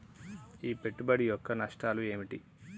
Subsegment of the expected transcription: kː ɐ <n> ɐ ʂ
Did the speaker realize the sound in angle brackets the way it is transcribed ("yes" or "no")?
yes